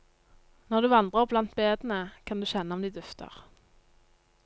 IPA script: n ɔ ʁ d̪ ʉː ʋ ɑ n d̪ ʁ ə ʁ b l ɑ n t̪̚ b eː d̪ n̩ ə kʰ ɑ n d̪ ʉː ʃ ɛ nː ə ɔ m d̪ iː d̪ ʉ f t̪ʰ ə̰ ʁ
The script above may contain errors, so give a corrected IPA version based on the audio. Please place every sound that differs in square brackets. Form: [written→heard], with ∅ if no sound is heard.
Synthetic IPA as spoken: n ɔ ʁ d̪ ʉː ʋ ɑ n d̪ ʁ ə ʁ b l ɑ n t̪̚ b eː d̪ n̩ ə kʰ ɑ n d̪ ʉː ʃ ɛ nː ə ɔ m d̪ iː d̪ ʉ f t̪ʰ ə̰ ʁ